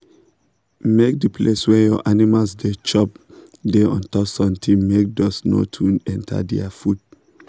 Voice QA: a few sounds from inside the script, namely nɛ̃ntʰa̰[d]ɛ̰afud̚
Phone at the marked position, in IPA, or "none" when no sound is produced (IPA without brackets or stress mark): d